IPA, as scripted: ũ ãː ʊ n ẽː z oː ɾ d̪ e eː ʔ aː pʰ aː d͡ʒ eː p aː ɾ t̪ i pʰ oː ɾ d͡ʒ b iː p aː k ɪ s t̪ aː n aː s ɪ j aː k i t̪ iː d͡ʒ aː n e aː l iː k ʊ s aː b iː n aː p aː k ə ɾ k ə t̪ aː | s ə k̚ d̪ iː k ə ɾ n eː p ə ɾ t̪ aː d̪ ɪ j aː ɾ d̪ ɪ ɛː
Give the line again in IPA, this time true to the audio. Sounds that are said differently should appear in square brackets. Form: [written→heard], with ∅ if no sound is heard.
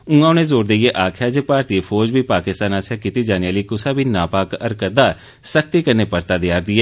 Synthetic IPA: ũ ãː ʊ n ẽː z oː ɾ d̪ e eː ʔ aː [pʰ→kʰ] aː d͡ʒ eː p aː ɾ t̪ i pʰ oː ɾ d͡ʒ b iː p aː k ɪ s t̪ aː n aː s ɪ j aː k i t̪ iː d͡ʒ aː n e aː l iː k ʊ s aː b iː n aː p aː k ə ɾ k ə [t̪→d̪] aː | s ə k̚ [d̪→t̪] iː k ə ɾ n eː p ə ɾ t̪ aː d̪ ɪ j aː ɾ d̪ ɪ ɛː